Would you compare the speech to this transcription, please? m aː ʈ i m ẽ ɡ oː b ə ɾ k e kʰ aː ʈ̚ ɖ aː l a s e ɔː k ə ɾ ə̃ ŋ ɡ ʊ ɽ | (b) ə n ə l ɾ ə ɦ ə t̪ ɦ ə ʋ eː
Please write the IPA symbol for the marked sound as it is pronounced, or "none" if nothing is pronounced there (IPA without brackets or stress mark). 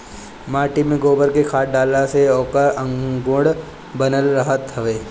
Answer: b